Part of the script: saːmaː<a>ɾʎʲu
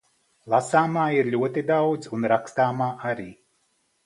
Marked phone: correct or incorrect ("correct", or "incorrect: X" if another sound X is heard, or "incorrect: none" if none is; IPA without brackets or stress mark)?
incorrect: i